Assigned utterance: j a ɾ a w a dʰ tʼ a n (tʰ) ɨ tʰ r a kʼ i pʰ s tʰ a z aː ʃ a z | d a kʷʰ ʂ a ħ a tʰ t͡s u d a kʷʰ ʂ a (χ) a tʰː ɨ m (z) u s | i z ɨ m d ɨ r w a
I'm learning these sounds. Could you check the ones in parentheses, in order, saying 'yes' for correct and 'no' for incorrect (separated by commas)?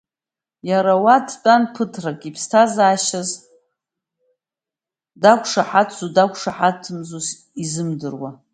no, no, yes